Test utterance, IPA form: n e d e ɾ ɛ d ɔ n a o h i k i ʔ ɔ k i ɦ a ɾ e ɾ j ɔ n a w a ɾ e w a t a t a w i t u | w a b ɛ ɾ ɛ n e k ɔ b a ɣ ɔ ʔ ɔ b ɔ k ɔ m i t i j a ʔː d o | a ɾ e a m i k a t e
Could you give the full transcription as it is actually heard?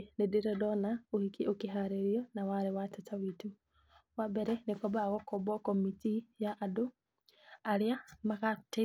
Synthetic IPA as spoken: n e d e ɾ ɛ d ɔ n a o h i k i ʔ o k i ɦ a ɾ e ɾ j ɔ n a w a ɾ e w a t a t a w i t u | w a b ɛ ɾ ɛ n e k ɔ b a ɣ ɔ k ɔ b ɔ k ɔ m i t i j a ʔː d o | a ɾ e a m a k a t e